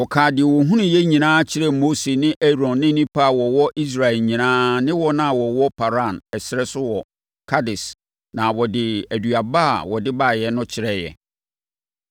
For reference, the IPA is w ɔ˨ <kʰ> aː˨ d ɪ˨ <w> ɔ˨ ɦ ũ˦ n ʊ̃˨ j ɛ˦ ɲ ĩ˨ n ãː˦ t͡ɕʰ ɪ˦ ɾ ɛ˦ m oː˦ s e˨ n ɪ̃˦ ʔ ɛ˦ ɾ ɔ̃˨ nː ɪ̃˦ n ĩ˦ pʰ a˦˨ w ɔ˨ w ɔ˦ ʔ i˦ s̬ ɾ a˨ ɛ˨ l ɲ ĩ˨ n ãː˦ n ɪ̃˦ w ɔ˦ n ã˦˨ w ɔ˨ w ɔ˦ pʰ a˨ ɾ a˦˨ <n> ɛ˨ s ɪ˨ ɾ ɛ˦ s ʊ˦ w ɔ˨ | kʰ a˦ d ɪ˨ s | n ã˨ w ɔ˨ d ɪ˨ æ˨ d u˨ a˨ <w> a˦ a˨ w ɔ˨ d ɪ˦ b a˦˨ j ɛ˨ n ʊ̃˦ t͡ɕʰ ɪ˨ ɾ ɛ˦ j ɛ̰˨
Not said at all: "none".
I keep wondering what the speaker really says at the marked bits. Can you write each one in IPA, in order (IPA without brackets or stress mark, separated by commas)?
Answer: kʰ, w, n, b